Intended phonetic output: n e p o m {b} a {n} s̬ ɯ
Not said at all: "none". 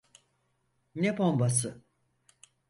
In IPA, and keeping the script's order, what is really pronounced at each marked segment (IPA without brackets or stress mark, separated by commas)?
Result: b, none